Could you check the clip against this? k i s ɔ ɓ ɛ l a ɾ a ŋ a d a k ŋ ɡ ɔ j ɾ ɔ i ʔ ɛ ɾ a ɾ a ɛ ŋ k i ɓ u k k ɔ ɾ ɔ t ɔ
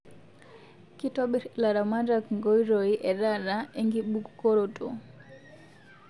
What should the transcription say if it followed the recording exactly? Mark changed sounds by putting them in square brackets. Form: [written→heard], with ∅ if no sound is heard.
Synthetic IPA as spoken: k i [s→t] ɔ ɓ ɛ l a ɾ a [ŋ→m] a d a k ŋ ɡ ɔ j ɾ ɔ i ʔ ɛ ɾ a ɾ a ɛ ŋ [k→ɡ] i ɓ u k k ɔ ɾ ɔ t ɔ

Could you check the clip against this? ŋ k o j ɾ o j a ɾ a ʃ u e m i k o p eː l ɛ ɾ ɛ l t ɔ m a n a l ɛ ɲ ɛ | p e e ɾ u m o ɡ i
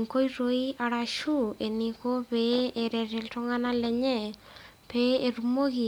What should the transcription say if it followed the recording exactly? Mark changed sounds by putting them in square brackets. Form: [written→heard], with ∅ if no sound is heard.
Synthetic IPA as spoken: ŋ k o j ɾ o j a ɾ a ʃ u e [m→n] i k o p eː [l→ɾ] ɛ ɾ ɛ l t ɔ [m→ŋ] a n a l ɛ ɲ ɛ | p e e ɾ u m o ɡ i

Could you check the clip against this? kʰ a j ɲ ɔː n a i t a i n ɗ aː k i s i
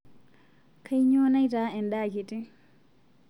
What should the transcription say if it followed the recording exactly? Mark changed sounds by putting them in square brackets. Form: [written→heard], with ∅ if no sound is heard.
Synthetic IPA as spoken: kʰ a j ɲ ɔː n a [i→j] t a [i→ɛ] n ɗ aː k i [s→t] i

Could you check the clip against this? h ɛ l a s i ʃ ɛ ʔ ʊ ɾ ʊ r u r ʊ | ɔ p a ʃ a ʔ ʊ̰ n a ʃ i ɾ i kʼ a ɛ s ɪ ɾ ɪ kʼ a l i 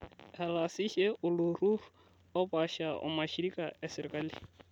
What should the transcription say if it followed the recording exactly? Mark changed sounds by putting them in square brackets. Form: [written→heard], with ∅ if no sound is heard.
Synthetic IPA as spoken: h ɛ l a s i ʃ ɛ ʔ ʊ [ɾ→l] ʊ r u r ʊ | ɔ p a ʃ a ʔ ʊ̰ [n→m] a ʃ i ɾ i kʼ a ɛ s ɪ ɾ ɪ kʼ a l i

